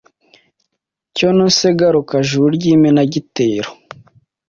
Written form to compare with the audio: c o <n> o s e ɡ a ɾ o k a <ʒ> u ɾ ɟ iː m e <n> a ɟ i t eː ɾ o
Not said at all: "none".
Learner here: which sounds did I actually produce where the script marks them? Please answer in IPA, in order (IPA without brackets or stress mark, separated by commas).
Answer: n, ʒ, n